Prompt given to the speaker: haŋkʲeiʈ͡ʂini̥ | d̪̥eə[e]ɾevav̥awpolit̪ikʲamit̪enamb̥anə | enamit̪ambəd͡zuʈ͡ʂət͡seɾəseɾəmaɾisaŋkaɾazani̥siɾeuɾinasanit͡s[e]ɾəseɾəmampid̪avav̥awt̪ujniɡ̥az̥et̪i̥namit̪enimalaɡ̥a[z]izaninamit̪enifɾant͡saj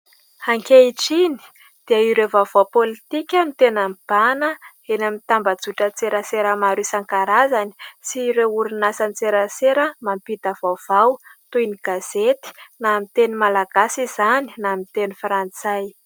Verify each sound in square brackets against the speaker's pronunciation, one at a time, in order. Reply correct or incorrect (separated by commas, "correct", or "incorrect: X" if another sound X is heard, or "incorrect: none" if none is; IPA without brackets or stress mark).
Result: incorrect: i, correct, incorrect: s